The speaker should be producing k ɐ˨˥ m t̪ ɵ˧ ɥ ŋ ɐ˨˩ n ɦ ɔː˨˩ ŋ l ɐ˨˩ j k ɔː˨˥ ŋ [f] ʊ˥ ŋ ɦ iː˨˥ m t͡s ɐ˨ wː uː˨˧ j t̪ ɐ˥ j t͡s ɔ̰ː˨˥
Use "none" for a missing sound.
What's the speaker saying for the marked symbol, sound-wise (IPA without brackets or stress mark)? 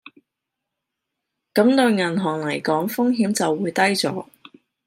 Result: f